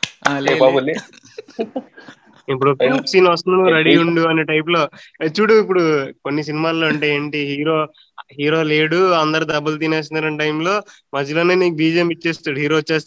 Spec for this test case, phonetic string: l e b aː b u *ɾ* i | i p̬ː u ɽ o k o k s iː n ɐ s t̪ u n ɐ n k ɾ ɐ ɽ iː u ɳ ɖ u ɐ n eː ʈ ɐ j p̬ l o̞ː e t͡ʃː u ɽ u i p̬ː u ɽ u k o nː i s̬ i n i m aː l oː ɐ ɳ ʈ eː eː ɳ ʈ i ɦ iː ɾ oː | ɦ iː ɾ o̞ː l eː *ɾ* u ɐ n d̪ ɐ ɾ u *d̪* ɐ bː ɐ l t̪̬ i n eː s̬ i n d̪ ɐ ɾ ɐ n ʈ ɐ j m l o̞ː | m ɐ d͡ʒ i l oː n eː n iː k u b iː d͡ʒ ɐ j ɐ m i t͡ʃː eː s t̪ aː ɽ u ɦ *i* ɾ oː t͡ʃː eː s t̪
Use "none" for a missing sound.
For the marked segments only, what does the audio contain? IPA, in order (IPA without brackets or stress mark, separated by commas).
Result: l, ɽ, d̪, iː